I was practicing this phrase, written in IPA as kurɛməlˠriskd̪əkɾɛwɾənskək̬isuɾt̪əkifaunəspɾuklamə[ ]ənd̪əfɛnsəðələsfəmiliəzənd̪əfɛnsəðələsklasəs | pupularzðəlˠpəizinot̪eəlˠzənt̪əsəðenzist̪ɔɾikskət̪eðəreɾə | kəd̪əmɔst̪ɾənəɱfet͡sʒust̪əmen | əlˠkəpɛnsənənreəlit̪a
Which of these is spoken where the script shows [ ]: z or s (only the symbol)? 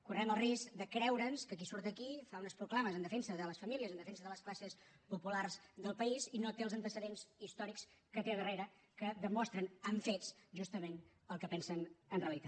z